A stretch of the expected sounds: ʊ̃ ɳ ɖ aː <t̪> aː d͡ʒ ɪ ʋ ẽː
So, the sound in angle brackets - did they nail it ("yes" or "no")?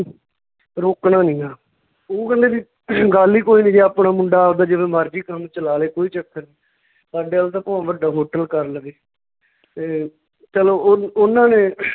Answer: no